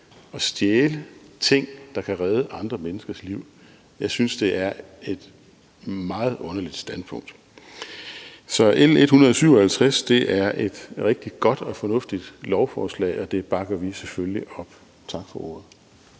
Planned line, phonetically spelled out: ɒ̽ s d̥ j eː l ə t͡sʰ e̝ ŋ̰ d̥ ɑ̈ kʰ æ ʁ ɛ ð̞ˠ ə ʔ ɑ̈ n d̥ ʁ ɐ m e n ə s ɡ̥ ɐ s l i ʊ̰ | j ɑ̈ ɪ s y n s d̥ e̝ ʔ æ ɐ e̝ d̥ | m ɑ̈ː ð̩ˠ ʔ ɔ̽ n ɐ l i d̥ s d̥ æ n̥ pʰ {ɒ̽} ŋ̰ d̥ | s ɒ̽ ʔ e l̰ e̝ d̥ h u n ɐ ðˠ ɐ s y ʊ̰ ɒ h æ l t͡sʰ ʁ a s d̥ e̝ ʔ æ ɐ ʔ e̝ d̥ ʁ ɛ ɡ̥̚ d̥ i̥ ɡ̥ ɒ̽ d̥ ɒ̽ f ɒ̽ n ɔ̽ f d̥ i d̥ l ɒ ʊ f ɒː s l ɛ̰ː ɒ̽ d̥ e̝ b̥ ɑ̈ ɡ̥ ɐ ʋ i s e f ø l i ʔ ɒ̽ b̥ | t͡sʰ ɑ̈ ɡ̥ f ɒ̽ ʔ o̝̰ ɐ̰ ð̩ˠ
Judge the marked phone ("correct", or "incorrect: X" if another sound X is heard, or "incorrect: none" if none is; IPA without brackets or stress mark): incorrect: ɔ̽